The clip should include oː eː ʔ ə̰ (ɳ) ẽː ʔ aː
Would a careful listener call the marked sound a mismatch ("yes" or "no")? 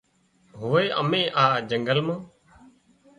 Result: yes